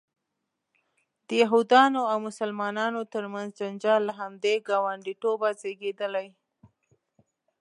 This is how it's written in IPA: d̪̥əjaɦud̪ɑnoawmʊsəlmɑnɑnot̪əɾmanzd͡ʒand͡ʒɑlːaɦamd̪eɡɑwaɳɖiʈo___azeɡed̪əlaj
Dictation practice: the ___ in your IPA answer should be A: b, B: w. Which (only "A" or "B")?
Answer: A